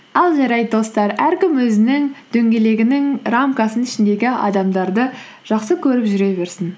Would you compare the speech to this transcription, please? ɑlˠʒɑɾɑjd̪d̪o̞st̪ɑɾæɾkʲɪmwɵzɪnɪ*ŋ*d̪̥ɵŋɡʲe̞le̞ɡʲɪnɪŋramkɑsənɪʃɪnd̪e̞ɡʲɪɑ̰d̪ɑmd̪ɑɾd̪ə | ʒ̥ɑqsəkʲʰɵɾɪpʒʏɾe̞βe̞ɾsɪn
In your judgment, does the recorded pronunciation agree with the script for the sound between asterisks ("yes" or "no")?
yes